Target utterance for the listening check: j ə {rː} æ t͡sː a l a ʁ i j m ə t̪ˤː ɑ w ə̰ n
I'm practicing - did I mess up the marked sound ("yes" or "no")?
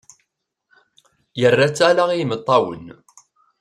no